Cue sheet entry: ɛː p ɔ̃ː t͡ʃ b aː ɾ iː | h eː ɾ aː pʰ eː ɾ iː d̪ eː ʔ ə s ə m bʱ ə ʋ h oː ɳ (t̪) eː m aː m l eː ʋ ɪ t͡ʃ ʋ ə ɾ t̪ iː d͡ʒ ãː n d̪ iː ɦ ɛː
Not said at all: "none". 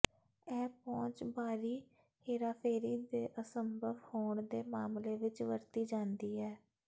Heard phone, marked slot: d̪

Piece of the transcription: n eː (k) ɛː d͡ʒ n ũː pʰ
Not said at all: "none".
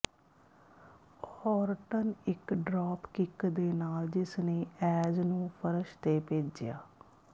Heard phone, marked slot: none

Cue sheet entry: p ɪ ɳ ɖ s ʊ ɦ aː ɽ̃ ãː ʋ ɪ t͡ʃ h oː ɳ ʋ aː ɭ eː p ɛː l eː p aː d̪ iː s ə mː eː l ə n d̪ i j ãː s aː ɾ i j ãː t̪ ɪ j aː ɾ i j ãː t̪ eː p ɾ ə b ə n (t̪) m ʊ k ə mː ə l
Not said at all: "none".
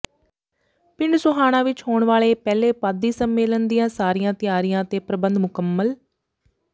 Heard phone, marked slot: d̪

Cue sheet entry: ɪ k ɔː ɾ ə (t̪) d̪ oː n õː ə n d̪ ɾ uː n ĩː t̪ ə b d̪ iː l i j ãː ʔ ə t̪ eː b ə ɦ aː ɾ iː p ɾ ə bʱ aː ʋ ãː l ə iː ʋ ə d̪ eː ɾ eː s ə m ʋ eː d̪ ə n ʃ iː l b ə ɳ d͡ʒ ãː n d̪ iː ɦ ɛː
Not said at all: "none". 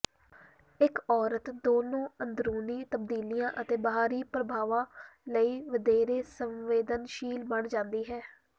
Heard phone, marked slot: t̪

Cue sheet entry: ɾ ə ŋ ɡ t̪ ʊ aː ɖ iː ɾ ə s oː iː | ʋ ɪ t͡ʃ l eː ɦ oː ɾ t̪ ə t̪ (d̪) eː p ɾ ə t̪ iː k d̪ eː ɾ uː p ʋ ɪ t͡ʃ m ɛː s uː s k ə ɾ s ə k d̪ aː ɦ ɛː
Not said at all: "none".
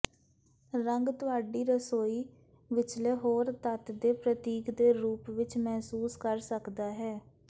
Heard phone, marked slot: d̪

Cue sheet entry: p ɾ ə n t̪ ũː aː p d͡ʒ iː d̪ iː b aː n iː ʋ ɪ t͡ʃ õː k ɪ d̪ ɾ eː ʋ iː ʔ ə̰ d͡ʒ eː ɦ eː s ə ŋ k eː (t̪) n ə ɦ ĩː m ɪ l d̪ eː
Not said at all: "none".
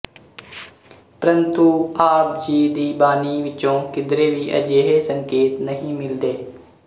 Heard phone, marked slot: t̪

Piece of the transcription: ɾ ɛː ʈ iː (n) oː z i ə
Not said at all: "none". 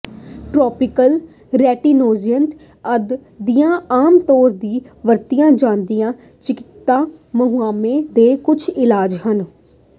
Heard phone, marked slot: n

